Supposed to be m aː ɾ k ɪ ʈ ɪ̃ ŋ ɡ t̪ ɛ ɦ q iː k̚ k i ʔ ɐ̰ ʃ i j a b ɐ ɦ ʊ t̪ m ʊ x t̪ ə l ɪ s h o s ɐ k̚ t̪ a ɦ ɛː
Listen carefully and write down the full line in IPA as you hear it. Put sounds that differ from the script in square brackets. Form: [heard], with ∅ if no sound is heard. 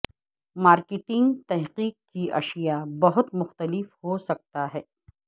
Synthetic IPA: m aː ɾ k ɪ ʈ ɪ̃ ŋ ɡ t̪ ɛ ɦ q iː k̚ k i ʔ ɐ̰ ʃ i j a b ɐ ɦ ʊ t̪ m ʊ x t̪ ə l ɪ [f] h o s ɐ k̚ t̪ a ɦ ɛː

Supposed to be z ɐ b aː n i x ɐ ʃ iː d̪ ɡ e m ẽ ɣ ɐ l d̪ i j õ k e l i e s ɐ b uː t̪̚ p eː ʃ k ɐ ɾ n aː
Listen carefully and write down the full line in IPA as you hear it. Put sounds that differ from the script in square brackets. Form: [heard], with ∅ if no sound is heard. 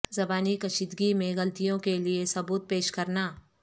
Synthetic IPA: z ɐ b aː n i [k] ɐ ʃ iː d̪ ɡ [i] m ẽ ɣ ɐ l [t̪] i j õ k e l i e s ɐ b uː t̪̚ p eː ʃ k ɐ ɾ n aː

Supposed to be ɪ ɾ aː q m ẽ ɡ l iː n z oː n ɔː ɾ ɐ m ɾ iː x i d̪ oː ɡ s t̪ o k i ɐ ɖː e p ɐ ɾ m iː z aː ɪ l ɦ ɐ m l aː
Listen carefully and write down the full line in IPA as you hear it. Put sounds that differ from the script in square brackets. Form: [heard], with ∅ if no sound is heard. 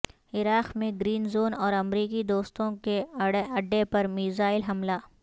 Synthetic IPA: ɪ ɾ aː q m ẽ ɡ [ɾ] iː n z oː n ɔː ɾ ɐ m ɾ iː [k] i d̪ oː [∅] s t̪ [õ] k [e] ɐ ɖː e p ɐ ɾ m iː z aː ɪ l ɦ ɐ m l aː

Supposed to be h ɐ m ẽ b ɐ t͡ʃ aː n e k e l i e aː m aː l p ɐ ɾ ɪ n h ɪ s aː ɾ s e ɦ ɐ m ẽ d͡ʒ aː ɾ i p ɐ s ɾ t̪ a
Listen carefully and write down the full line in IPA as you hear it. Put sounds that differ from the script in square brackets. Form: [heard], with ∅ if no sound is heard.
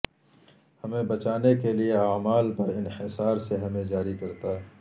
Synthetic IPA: h ɐ m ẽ b ɐ t͡ʃ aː n e k e l i e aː m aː l p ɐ ɾ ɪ n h ɪ s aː ɾ s e ɦ ɐ m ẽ d͡ʒ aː ɾ i [k] ɐ [∅] ɾ t̪ a

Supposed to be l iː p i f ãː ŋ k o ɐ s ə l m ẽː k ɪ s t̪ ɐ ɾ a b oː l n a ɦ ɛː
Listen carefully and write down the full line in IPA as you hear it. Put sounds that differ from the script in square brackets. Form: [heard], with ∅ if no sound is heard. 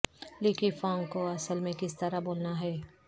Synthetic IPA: l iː [k] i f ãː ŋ k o ɐ s ə l m [ẽ] k ɪ s t̪ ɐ ɾ a b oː l n a ɦ ɛː

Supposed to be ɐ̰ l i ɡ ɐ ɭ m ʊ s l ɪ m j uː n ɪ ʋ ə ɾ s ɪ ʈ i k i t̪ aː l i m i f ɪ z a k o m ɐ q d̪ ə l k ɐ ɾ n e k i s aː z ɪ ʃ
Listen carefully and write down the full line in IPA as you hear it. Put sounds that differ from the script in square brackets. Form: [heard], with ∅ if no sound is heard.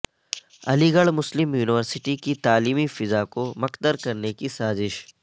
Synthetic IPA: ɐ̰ l i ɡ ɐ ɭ m ʊ s l ɪ m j uː n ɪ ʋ ə ɾ s ɪ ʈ i k i t̪ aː l [iː] m i f ɪ z a k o m ɐ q d̪ ə [ɾ] k ɐ ɾ n e k i s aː z ɪ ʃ

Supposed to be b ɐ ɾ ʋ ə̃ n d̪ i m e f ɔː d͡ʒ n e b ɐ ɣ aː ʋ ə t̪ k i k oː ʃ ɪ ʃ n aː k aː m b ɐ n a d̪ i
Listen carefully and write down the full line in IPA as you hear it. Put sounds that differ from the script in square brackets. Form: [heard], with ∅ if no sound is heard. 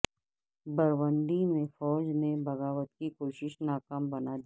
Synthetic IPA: b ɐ ɾ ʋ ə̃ n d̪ i m [ẽ] f ɔː d͡ʒ n e b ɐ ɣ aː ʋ ə t̪ k i k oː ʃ ɪ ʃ n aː k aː m b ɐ n a d̪ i

